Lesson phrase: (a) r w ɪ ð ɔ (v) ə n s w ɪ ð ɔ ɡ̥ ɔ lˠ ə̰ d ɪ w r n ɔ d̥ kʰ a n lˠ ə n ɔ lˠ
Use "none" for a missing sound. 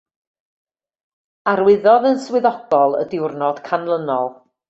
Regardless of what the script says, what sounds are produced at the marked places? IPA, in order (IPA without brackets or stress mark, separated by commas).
a, ð